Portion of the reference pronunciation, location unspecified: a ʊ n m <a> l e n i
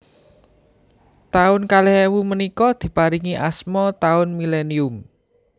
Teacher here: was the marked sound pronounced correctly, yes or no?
no